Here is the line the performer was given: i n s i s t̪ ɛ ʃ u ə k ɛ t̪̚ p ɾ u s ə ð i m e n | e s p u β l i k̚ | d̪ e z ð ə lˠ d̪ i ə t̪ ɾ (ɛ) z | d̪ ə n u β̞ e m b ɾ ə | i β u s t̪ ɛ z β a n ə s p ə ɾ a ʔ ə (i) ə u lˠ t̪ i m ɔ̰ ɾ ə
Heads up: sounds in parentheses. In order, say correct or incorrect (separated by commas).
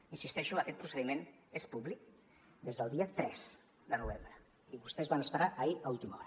correct, correct